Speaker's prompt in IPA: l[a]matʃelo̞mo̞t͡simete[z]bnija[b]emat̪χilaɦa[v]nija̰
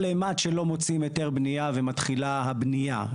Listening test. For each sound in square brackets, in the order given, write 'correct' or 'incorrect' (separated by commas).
incorrect, incorrect, incorrect, incorrect